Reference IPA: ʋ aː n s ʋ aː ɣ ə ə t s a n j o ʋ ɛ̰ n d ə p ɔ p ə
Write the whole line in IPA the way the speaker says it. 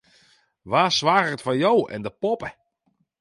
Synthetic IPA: ʋ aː s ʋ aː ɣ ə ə t f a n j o w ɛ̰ n d ə p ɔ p ə